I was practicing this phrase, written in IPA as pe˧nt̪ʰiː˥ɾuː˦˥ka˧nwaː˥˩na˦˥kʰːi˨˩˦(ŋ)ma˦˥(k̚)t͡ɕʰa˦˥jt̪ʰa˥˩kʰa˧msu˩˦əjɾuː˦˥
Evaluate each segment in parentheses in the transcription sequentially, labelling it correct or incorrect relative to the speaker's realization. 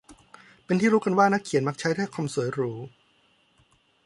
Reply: incorrect: n, correct

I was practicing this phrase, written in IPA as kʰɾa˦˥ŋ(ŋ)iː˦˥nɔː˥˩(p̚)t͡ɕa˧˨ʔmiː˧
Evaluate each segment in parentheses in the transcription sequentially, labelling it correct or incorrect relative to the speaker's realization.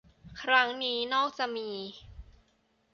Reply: incorrect: n, incorrect: k̚

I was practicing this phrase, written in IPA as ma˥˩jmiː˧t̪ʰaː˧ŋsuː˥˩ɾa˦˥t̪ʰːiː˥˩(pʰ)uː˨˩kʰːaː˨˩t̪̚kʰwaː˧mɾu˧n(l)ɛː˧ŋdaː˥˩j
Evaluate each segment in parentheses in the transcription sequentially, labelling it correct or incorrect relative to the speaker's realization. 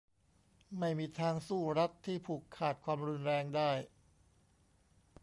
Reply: correct, incorrect: ɾ

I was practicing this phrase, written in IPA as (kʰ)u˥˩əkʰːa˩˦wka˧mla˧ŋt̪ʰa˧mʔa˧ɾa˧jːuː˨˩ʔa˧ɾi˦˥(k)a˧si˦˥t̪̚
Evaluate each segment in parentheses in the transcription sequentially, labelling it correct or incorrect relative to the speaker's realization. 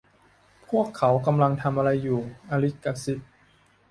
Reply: incorrect: pʰ, correct

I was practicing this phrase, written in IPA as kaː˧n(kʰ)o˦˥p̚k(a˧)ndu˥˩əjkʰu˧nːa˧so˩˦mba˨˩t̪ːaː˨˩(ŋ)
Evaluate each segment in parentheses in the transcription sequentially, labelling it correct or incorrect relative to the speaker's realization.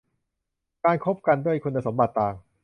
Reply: correct, correct, correct

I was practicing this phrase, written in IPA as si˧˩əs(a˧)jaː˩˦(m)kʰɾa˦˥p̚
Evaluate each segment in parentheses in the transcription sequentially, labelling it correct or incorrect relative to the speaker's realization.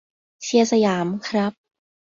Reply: correct, correct

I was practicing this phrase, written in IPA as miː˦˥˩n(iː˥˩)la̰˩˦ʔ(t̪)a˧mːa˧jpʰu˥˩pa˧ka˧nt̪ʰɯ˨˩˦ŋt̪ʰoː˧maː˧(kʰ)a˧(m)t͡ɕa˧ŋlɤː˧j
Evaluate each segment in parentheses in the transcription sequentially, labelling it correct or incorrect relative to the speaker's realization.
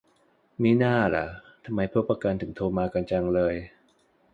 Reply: incorrect: aː˥˩, incorrect: t̪ʰ, incorrect: k, incorrect: n

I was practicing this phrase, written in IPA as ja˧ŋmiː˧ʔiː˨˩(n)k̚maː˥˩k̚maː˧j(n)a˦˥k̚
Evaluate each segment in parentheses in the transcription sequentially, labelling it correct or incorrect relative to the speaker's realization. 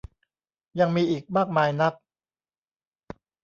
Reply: incorrect: none, correct

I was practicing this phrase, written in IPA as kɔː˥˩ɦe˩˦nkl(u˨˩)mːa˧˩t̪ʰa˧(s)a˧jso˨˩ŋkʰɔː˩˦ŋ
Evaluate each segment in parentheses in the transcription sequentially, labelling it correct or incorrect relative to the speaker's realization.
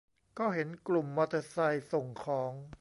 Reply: correct, correct

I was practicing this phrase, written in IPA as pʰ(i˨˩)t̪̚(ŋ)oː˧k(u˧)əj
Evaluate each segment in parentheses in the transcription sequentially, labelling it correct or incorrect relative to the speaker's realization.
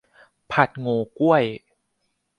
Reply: incorrect: a˨˩, correct, incorrect: u˥˩

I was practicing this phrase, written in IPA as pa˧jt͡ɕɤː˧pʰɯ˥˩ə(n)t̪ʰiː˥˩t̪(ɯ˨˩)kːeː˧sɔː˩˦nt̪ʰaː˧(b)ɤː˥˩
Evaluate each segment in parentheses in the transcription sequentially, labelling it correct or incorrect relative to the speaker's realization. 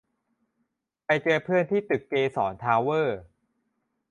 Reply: correct, correct, incorrect: w

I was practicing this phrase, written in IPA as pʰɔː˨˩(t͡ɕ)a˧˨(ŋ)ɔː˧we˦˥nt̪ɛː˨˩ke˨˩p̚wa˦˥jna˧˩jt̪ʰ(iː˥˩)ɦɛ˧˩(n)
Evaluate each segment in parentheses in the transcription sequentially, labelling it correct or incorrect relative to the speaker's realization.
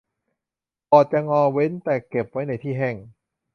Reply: correct, correct, correct, incorrect: ŋ

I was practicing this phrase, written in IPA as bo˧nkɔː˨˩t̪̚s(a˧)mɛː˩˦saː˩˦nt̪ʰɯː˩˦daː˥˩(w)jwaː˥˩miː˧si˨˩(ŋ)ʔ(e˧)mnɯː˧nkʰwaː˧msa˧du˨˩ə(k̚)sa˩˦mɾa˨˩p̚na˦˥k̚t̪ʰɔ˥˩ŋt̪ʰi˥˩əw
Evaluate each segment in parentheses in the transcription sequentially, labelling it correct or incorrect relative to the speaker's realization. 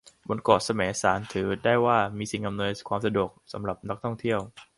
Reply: correct, incorrect: none, correct, incorrect: a˧, correct

